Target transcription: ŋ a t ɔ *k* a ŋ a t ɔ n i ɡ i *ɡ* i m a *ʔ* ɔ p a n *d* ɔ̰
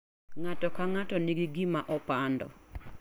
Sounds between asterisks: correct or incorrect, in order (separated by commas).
correct, correct, correct, correct